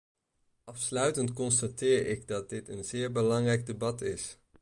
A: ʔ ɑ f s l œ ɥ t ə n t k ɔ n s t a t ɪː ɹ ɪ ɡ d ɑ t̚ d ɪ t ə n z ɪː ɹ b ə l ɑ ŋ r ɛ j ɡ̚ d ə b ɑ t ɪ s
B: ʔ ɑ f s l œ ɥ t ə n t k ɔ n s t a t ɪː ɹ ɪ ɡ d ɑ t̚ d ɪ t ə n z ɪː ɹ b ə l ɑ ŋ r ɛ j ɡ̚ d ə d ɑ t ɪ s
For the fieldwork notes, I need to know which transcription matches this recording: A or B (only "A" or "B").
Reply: A